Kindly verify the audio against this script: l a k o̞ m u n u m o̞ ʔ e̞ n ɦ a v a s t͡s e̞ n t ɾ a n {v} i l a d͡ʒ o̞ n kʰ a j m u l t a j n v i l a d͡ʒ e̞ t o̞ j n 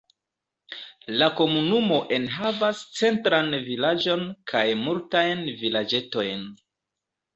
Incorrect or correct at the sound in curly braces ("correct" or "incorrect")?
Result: correct